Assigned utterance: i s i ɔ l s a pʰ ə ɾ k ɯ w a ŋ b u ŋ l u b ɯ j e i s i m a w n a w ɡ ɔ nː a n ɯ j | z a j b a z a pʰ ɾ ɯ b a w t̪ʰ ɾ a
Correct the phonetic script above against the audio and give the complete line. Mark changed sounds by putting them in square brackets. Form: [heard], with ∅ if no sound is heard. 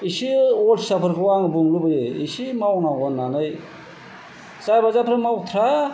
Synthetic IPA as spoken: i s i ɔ l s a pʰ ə ɾ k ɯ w a ŋ b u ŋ l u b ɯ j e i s i m a w n a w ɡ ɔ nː a n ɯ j | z a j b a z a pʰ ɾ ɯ [m] a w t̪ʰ ɾ a